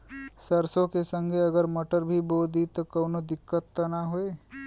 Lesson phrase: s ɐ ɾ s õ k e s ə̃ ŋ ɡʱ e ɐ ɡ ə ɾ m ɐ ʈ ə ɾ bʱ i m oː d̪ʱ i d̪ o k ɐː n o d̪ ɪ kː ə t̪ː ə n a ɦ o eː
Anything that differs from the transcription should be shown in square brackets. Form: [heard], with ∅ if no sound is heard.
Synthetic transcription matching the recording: s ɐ ɾ s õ k e s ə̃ ŋ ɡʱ e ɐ ɡ ə ɾ m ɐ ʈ ə ɾ bʱ i [b] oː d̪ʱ i [t̪] o k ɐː n o d̪ ɪ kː ə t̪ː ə n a ɦ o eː